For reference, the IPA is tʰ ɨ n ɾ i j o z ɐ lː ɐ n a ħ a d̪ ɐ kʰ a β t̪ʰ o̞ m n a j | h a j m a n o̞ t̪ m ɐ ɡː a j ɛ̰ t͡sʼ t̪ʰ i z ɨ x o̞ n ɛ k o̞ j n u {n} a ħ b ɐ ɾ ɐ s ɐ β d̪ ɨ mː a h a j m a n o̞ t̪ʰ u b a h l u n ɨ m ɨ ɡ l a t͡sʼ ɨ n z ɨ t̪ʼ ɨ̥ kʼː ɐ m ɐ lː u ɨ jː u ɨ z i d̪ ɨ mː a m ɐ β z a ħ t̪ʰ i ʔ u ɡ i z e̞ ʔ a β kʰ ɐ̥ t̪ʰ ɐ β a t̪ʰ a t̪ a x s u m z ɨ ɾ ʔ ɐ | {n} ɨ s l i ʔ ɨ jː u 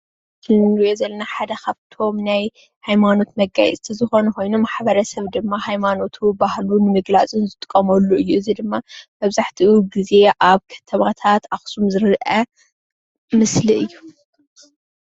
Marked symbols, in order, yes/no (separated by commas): no, no